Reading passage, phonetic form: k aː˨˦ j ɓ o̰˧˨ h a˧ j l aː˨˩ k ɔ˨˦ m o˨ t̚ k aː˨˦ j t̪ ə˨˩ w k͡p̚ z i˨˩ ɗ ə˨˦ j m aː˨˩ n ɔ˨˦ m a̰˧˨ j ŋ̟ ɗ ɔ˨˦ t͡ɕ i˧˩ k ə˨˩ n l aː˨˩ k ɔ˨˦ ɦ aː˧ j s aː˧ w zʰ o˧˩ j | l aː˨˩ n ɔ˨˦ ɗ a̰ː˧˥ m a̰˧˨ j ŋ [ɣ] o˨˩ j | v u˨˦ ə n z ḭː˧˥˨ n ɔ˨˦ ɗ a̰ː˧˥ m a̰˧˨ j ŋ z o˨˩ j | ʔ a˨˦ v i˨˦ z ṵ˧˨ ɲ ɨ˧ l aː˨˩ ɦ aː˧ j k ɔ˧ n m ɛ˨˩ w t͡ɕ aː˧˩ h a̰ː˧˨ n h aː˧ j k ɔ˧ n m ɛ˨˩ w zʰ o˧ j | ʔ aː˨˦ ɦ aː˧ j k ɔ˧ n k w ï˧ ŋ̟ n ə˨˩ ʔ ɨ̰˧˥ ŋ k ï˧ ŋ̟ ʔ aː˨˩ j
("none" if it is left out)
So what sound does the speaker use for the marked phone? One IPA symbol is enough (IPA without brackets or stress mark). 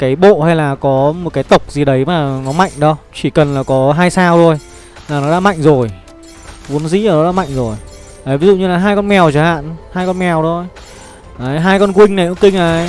z